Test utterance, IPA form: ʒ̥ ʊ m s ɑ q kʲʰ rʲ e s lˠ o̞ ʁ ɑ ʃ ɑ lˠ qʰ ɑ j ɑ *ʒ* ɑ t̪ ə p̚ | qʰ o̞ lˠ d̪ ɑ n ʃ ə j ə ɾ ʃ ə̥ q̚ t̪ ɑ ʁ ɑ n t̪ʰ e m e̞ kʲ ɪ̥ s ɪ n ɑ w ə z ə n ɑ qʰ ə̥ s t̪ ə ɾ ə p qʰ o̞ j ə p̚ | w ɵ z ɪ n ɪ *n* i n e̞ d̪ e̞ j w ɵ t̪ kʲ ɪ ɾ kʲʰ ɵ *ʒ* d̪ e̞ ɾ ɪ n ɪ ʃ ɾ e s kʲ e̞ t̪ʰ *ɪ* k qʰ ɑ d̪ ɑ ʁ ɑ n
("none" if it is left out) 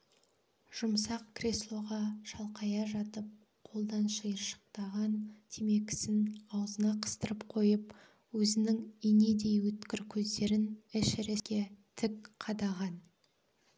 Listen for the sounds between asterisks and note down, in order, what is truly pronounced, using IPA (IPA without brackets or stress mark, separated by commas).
ʒ, ŋ, z, ɪ